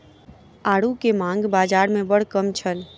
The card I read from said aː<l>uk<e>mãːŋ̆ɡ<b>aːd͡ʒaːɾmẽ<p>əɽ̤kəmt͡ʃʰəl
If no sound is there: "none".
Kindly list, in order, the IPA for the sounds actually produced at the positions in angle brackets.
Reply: ɽ, e, b, b

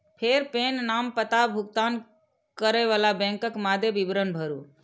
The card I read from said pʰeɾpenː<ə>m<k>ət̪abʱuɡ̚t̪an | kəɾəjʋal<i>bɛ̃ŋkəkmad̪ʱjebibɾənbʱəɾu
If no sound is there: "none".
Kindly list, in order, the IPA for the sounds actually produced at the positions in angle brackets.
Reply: a, p, a

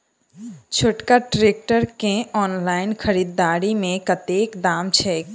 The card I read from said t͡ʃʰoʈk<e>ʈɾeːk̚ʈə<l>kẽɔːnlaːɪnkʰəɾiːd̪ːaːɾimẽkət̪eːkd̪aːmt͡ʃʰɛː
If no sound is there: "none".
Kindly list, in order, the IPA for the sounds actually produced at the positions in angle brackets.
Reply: a, ɾ

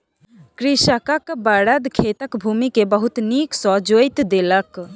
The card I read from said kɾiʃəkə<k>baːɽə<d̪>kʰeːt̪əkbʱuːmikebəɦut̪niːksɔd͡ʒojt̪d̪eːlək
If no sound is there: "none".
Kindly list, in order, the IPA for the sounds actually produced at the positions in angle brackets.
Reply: k, d̪

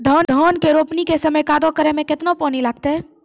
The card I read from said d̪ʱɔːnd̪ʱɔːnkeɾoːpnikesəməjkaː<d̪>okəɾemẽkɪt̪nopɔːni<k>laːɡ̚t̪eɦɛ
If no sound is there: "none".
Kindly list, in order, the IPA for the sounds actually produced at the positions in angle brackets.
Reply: d̪, none

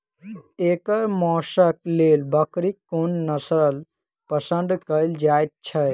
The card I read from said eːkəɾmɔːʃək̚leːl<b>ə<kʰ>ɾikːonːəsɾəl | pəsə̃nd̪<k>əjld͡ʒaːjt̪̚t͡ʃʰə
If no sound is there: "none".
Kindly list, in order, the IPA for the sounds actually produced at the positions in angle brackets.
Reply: b, k, k

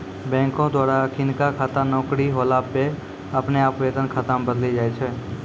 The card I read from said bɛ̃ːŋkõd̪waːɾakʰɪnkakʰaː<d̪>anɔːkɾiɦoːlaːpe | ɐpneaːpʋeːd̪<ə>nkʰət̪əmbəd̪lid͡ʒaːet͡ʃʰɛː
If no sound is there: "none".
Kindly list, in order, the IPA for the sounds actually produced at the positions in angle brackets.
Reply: t̪, ə

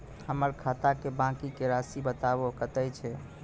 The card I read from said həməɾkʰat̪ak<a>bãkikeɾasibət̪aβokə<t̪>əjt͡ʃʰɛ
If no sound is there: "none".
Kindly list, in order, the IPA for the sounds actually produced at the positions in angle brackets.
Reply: e, t̪

